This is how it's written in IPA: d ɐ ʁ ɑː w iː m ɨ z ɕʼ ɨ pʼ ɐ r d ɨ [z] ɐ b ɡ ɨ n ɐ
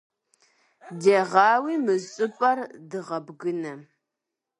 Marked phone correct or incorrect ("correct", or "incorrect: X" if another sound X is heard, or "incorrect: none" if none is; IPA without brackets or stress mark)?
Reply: incorrect: ʁ